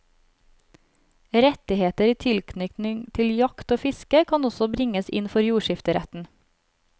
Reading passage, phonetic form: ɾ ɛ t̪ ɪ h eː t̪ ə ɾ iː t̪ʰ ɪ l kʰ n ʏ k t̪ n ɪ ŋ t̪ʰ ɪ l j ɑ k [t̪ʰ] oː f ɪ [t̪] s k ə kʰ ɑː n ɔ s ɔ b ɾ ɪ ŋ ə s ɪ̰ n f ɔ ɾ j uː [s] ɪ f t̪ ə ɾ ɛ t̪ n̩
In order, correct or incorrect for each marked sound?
incorrect, incorrect, incorrect

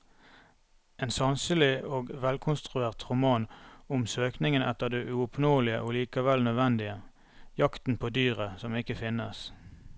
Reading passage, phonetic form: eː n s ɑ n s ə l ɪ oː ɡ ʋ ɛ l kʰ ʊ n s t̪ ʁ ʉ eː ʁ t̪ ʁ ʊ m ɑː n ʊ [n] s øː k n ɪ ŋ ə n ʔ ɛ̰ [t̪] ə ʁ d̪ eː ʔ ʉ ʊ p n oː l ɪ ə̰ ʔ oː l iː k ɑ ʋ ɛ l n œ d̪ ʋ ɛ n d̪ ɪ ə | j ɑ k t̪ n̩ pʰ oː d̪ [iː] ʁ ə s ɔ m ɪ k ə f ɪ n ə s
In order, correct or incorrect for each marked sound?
incorrect, correct, incorrect

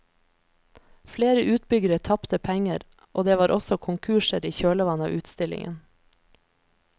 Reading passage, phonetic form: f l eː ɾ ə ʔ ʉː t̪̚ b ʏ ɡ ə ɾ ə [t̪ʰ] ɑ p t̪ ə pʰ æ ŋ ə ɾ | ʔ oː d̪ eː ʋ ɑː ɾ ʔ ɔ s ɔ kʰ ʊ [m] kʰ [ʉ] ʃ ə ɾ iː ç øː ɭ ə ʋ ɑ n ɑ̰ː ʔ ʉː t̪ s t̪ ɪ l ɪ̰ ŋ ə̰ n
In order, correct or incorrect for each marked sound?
correct, incorrect, incorrect

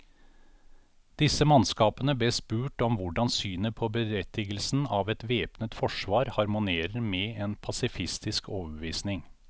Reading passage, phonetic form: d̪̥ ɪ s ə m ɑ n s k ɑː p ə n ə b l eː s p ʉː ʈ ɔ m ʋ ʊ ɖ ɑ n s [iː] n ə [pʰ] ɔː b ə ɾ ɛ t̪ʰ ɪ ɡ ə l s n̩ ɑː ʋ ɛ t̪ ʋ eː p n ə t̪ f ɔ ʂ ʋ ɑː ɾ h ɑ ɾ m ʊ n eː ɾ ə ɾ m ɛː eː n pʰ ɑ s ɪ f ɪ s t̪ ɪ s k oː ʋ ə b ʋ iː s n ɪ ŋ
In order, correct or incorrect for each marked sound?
incorrect, correct

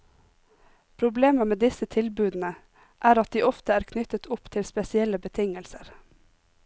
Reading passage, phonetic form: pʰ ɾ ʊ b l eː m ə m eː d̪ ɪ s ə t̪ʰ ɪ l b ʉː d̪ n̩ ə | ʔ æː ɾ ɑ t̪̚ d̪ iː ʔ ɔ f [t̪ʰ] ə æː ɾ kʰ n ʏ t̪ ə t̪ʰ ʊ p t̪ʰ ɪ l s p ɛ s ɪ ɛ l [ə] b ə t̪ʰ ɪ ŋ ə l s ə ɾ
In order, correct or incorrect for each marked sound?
incorrect, correct

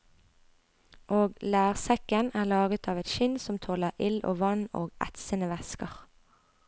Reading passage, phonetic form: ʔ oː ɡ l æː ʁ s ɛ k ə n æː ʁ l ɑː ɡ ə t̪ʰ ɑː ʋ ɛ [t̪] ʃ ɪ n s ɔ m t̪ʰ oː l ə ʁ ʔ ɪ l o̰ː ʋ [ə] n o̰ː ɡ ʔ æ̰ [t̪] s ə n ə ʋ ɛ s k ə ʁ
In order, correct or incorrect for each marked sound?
correct, incorrect, correct

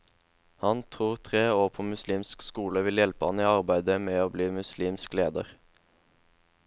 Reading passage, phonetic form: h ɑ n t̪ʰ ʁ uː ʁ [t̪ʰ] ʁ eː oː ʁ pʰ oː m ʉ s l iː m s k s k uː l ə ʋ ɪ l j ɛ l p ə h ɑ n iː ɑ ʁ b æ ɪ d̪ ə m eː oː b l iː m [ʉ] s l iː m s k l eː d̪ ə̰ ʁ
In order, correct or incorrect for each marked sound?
correct, correct

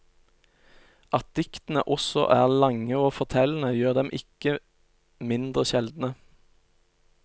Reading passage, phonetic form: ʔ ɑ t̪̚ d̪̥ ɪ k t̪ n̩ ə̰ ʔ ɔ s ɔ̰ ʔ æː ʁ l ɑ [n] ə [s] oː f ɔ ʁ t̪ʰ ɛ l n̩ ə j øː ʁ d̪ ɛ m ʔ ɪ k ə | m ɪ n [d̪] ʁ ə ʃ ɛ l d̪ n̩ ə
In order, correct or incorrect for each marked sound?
incorrect, incorrect, correct

